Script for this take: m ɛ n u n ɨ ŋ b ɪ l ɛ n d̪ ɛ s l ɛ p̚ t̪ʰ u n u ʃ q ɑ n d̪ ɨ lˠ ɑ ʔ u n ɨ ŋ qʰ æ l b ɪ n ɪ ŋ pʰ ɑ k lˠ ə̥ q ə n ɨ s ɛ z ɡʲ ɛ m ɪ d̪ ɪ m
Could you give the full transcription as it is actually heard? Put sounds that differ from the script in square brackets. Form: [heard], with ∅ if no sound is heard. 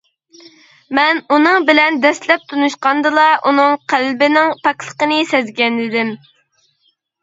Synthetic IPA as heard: m ɛ n u n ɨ ŋ b ɪ l ɛ n d̪ ɛ s l ɛ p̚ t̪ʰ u n u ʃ q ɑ n d̪ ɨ lˠ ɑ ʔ u n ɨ ŋ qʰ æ l b ɪ n ɪ ŋ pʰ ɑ k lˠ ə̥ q ə n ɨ s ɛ z ɡʲ ɛ [n] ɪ d̪ ɪ m